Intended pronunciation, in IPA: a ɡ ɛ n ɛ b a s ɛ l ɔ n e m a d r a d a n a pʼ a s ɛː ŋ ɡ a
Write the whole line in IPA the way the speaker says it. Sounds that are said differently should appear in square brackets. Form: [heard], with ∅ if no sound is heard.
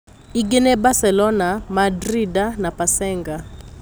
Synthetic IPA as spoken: [i] ɡ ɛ n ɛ b a s ɛ l ɔ n [a] m a d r [i] d a n a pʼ a s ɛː ŋ ɡ a

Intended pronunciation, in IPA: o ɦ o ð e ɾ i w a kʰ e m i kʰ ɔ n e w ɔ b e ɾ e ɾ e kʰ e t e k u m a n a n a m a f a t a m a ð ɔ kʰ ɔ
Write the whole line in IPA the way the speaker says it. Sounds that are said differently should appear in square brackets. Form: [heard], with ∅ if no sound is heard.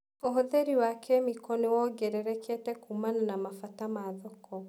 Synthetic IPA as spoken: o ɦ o ð e ɾ i w a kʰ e m i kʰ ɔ n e w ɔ [ɡ] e ɾ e ɾ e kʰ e t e k u m a n a n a m a f a t a m a ð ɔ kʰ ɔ

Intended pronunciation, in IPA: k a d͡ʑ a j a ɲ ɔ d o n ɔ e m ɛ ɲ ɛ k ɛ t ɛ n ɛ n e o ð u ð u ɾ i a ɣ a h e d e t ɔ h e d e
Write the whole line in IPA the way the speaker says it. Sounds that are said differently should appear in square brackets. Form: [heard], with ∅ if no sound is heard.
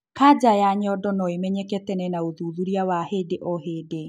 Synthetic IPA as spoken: k a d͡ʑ a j a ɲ ɔ d [ɔ] n ɔ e m ɛ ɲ ɛ k ɛ t ɛ n ɛ n [a] o ð u ð u ɾ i a [w] a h e d e [ʔ] ɔ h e d e

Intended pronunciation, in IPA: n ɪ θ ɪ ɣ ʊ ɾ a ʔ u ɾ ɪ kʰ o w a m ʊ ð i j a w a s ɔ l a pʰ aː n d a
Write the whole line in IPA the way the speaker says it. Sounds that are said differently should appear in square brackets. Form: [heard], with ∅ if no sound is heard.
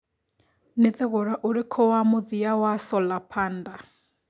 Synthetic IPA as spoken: n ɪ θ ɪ ɣ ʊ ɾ a ʔ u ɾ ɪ kʰ [ɔ] w a m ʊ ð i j a w a s ɔ l a pʰ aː n d a

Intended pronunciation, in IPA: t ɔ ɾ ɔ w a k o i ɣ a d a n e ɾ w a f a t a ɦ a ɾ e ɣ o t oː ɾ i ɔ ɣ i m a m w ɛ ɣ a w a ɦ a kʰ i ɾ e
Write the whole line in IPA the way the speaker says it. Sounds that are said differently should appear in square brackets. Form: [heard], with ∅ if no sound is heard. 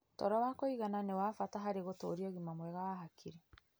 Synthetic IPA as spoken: t ɔ ɾ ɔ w a k o i ɣ a [n] a n e [∅] w a f a t a ɦ a ɾ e ɣ o t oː ɾ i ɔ ɣ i m a m w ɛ ɣ a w a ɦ a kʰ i ɾ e

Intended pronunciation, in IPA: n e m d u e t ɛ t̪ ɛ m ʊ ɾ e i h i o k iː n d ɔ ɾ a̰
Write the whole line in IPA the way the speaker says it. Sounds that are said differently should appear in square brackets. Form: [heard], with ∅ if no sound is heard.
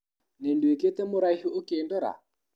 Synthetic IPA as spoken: n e [n] d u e [k] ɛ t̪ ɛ m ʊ ɾ [a] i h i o k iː n d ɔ ɾ a̰

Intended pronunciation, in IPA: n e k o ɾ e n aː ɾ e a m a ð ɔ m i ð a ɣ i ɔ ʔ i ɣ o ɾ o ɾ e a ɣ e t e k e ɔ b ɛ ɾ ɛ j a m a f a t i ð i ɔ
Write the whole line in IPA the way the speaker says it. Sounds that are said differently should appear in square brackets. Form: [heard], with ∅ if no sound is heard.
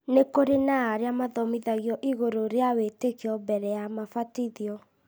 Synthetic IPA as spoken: n e k o ɾ e n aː ɾ e a m a ð ɔ m i ð a ɣ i ɔ ʔ i ɣ o ɾ o ɾ e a [w] e t e k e ɔ b ɛ ɾ ɛ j a m a f a t i ð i ɔ

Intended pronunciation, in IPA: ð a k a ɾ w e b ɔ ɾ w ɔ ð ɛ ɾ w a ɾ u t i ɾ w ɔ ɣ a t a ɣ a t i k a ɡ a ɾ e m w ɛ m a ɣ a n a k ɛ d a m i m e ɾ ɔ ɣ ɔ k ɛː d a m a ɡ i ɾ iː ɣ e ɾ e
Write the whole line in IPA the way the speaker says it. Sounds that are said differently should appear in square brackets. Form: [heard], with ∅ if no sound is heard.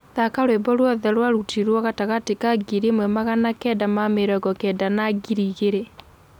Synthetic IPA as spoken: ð a k a ɾ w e b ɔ ɾ w ɔ ð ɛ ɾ w a ɾ u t i ɾ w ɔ ɣ a t a ɣ a t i k a ɡ [i] ɾ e m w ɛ m a ɣ a n a k ɛ d a m [a] m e ɾ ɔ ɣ ɔ k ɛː d a [n] a ɡ i ɾ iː ɣ e ɾ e

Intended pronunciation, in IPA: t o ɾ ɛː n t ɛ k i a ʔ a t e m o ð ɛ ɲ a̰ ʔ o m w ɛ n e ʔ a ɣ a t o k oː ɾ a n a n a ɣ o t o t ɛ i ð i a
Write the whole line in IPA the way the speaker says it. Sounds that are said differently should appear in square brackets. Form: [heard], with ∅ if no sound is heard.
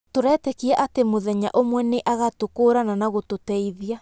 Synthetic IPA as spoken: t o ɾ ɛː [∅] t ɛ k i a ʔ a t e m o ð ɛ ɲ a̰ ʔ o m w ɛ n e ʔ a ɣ a t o k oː ɾ a n a n a ɣ o t o t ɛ i ð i a

